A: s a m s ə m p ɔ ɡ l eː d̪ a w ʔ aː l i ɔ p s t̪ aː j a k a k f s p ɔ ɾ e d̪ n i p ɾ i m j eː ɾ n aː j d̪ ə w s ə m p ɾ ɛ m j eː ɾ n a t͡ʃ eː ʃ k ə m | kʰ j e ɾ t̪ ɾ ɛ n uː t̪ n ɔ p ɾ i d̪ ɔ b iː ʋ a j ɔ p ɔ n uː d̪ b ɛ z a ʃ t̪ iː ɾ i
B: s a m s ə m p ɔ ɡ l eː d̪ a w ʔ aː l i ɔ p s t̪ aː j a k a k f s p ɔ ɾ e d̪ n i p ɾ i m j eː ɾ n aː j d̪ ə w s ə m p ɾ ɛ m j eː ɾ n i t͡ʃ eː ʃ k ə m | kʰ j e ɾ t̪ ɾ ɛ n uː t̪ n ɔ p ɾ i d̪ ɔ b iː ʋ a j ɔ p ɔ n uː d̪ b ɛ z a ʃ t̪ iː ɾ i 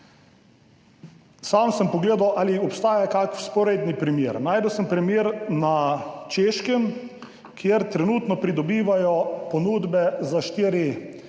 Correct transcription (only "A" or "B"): A